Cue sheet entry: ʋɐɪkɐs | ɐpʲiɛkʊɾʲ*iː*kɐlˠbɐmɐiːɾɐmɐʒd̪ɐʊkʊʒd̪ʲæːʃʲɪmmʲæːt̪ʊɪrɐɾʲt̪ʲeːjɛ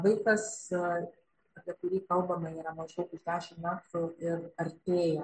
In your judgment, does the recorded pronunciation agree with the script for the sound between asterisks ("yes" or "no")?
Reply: yes